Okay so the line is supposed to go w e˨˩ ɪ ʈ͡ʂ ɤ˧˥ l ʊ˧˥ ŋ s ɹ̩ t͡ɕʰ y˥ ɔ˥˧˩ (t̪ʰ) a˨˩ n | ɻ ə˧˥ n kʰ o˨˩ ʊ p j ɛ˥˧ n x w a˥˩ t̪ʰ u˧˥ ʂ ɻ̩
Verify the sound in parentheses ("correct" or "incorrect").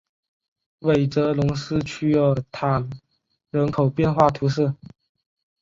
correct